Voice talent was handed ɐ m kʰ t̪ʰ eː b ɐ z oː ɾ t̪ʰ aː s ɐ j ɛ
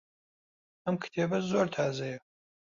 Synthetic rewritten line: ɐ m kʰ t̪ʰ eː b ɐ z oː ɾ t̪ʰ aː z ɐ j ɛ